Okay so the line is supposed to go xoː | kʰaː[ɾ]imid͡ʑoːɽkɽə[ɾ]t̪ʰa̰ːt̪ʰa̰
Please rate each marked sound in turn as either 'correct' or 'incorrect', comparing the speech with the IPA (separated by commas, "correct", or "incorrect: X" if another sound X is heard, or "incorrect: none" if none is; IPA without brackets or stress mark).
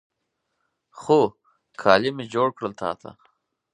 incorrect: l, incorrect: l